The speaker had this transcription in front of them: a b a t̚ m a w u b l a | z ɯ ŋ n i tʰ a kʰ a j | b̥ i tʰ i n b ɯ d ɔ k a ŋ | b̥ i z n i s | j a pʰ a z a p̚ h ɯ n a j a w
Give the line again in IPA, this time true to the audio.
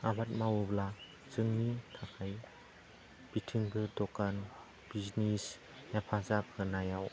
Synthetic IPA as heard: a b a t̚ m a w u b l a | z ɯ ŋ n i tʰ a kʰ a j | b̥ i tʰ i ŋ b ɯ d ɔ k a n | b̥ i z n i s | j a pʰ a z a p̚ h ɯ n a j a w